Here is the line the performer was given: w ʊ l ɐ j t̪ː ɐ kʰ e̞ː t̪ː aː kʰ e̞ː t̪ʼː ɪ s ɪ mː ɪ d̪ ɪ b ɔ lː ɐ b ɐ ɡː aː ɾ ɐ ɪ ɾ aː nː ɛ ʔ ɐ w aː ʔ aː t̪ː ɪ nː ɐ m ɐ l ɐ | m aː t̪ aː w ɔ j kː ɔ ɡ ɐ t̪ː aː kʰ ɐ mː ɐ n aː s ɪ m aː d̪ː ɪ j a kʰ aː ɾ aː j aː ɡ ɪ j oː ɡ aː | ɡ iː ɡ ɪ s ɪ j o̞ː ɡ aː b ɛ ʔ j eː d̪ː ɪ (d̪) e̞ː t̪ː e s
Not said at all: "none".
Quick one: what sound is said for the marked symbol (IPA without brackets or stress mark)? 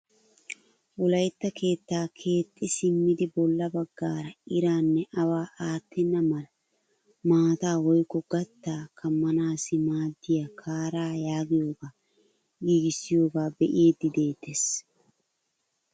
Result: d̪